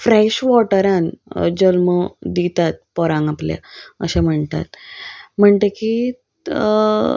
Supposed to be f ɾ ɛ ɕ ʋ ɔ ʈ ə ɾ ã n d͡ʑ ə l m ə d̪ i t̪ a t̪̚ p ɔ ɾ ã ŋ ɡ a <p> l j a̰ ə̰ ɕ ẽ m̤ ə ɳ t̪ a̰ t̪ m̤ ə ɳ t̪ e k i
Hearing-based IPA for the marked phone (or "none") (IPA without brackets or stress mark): p